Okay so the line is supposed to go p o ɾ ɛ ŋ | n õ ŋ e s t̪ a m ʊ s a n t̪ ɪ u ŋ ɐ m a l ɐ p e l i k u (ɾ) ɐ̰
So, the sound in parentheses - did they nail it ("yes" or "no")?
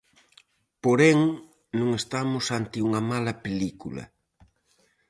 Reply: no